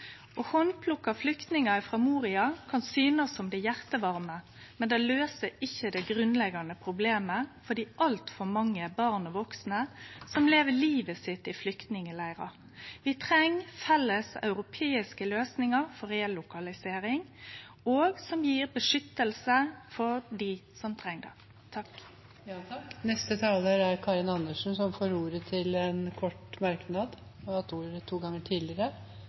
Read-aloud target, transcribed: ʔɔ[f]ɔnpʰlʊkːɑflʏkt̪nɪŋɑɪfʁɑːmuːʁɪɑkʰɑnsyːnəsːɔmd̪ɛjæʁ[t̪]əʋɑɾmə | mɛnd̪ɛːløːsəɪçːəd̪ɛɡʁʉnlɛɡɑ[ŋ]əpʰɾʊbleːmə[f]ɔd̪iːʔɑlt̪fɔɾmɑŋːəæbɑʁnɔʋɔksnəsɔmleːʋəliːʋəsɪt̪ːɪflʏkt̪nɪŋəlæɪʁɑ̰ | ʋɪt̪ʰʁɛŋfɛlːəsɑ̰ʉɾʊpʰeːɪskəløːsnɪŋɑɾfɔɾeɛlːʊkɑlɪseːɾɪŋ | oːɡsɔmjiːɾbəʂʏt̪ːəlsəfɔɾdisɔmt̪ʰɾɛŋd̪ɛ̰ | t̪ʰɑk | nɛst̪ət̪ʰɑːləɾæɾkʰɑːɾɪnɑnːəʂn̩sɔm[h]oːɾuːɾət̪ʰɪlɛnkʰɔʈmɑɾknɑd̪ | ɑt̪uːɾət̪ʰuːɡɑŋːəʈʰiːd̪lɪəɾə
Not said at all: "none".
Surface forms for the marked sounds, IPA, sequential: h, t̪, n, f, f

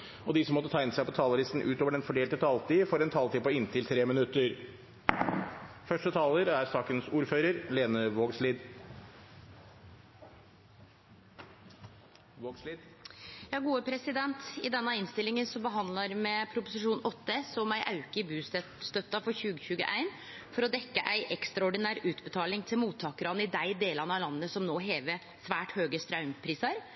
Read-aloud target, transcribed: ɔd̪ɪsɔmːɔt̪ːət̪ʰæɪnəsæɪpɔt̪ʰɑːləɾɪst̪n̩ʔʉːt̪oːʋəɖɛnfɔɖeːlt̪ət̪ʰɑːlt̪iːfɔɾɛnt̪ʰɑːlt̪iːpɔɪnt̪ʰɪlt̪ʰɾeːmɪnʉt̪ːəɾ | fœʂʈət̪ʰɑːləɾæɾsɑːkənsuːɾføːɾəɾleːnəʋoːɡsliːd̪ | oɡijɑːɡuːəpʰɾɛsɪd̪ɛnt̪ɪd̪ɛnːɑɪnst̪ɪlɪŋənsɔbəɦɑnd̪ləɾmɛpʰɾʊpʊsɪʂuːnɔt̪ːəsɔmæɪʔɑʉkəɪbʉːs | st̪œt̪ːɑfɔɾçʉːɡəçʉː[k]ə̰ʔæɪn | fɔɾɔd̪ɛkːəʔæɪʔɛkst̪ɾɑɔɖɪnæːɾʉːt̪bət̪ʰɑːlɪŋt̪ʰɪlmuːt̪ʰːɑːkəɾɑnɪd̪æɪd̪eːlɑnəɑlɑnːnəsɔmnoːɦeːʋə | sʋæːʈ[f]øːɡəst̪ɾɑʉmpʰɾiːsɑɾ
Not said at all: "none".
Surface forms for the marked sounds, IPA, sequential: ɡ, h

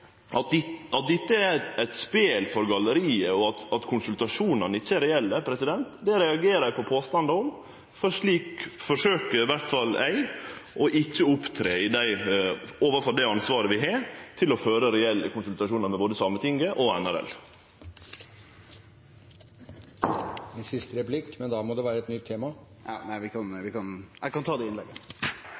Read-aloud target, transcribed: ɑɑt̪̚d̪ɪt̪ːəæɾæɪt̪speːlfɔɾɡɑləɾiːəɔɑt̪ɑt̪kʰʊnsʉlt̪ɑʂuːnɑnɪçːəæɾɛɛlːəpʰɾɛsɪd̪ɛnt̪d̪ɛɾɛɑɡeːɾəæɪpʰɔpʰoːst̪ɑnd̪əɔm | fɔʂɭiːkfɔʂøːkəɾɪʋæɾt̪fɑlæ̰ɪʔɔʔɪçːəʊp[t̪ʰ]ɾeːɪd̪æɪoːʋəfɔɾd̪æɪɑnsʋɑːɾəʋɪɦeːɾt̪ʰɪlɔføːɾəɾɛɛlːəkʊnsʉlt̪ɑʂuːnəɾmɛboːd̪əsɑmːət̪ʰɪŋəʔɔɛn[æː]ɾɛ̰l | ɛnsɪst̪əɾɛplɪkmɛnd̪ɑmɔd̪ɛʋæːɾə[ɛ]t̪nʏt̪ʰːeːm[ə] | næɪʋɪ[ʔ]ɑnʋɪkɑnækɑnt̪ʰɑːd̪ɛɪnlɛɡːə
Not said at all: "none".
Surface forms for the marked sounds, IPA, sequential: t̪ʰ, æ, ɛ, ɑ, k

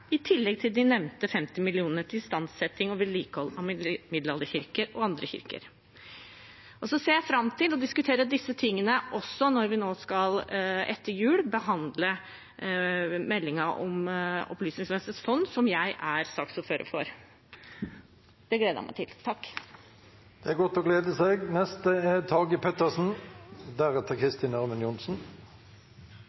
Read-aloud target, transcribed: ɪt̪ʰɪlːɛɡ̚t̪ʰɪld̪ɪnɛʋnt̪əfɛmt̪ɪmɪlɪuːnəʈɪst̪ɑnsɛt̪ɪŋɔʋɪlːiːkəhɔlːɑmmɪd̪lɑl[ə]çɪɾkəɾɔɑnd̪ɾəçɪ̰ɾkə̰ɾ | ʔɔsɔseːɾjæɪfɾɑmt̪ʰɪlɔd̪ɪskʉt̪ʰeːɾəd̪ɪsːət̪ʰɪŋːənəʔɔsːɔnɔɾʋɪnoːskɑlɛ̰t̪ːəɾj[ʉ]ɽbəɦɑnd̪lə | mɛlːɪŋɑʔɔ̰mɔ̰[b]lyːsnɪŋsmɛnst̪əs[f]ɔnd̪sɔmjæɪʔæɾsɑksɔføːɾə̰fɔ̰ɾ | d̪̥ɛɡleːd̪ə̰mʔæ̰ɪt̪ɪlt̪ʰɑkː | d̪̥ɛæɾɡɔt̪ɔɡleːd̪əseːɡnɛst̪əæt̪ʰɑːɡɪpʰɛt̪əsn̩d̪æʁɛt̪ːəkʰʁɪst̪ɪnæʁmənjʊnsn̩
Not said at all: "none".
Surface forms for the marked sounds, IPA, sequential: ə, ʉː, p, f

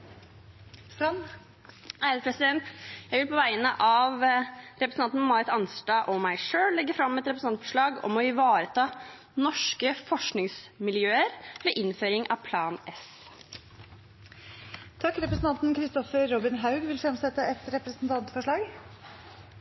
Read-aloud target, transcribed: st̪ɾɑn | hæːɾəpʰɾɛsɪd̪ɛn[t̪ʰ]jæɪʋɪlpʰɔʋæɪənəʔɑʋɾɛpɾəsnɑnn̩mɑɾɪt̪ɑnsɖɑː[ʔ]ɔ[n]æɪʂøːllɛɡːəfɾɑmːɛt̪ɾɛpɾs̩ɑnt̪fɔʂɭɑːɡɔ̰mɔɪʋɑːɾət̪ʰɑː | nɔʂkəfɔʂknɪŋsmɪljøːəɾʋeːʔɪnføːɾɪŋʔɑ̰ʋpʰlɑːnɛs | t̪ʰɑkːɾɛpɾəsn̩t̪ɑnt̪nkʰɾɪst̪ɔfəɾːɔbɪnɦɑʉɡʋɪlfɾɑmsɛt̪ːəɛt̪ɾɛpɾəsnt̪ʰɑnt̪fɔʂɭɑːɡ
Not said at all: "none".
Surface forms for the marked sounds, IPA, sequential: t̪, ʔ, m

